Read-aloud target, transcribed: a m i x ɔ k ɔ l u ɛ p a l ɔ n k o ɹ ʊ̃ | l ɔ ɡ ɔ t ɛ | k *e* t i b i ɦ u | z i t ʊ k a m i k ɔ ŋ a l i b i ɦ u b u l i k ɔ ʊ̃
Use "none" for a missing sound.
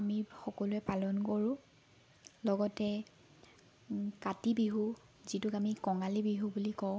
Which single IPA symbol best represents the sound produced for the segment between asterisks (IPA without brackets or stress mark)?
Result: a